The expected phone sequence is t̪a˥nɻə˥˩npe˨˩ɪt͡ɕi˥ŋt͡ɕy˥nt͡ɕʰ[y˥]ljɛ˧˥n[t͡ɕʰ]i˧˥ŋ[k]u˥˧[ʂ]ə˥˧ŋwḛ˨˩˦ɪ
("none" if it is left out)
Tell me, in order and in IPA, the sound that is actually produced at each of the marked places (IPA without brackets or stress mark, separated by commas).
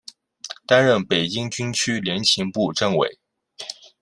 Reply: y˥, t͡ɕʰ, p, ʈ͡ʂ